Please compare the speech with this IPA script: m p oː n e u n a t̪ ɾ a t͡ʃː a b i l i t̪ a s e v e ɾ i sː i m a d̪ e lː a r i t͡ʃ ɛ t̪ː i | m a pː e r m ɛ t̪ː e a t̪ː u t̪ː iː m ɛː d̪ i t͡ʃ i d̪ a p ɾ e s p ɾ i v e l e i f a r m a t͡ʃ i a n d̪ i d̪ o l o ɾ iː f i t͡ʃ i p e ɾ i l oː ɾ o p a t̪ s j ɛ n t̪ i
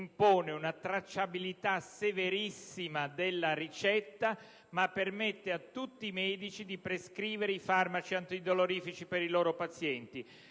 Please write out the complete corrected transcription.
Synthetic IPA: m p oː n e u n a t̪ ɾ a t͡ʃː a b i l i t̪ a s e v e ɾ i sː i m a d̪ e lː a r i t͡ʃ ɛ t̪ː a | m a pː e r m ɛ t̪ː e a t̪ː u t̪ː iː m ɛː d̪ i t͡ʃ i d̪ i p ɾ e s k ɾ iː v e ɾ e i f a r m a t͡ʃ i a n t̪ i d̪ o l o ɾ iː f i t͡ʃ i p e ɾ i l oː ɾ o p a t̪ s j ɛ n t̪ i